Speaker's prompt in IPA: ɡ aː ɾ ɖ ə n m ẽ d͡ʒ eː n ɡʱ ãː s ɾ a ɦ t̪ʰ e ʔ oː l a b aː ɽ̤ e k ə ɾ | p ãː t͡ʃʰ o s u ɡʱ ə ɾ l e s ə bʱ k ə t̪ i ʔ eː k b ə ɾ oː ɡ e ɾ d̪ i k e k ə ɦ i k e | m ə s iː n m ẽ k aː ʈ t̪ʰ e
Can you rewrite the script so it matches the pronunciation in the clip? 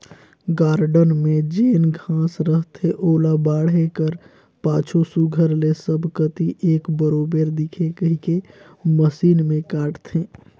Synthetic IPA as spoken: ɡ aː ɾ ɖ ə n m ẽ d͡ʒ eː n ɡʱ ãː s ɾ ə ɦ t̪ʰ e ʔ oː l a b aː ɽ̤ e k ə ɾ | p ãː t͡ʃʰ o s u ɡʱ ə ɾ l e s ə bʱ k ə t̪ i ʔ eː k b ə ɾ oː b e ɾ d̪ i kʰ e k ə ɦ i k e | m ə s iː n m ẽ k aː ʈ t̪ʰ e